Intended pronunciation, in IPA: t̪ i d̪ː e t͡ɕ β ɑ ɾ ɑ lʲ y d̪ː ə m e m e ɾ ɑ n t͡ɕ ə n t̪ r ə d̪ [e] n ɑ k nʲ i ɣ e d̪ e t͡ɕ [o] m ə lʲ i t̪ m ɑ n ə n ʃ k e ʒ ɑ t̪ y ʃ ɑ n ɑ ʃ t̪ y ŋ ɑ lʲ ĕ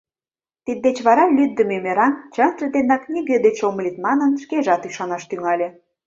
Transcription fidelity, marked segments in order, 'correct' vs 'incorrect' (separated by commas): correct, correct